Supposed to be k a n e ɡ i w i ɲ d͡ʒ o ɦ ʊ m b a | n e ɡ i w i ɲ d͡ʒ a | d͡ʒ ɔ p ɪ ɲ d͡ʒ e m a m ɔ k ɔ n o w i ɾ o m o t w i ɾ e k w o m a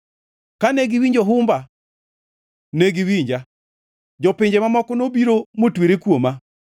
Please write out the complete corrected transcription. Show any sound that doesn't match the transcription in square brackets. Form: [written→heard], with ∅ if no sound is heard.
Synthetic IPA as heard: k a n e ɡ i w i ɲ d͡ʒ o ɦ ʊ m b a | n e ɡ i w i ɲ d͡ʒ a | d͡ʒ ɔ p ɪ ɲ d͡ʒ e m a m ɔ k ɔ n o [w→b] i ɾ o m o t w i ɾ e k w o m a